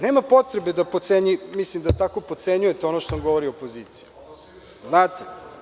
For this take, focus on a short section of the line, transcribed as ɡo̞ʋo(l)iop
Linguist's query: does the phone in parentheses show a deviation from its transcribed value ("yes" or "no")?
yes